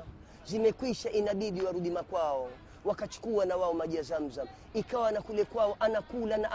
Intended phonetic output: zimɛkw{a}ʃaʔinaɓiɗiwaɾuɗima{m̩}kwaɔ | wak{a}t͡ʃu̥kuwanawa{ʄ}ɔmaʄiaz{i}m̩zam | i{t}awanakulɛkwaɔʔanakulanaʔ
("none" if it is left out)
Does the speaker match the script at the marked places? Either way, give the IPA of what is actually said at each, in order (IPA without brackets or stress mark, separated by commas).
i, none, a, none, a, k